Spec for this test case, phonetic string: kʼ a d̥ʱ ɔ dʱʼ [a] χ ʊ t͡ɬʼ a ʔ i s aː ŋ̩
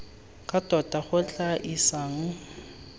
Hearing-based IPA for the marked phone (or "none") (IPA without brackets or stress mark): a